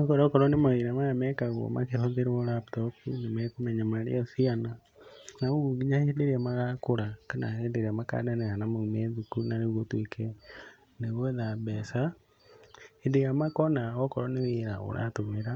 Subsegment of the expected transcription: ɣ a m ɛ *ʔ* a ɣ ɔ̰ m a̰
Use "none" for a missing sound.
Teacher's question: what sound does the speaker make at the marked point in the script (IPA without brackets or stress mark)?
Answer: k